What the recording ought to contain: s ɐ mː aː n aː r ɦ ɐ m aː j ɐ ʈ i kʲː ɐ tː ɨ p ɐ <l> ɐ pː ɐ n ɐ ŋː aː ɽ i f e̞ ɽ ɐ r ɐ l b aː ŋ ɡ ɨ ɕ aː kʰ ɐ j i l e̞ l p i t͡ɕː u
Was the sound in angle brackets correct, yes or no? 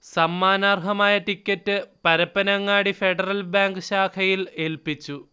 no